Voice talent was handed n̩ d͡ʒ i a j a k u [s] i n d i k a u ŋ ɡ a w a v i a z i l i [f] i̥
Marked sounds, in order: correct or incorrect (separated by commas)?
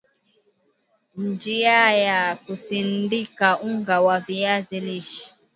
correct, incorrect